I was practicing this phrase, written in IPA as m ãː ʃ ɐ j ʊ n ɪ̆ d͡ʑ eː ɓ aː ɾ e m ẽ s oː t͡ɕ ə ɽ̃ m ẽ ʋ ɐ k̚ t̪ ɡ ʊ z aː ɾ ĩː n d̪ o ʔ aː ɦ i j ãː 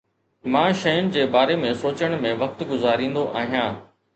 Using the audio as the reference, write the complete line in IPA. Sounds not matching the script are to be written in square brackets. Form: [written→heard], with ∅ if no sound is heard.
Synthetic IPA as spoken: m ãː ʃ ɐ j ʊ n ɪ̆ d͡ʑ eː [ɓ→b] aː ɾ e m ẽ s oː t͡ɕ ə ɽ̃ m ẽ ʋ ɐ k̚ t̪ ɡ ʊ z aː ɾ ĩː n d̪ o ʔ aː ɦ i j ãː